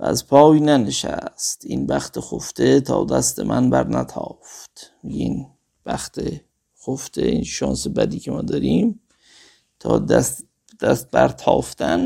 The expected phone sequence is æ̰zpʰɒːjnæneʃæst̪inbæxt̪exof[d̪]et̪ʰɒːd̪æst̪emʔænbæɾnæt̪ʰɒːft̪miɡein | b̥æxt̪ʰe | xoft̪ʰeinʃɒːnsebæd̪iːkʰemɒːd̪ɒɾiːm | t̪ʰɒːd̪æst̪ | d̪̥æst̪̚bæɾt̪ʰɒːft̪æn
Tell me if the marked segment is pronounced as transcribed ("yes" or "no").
no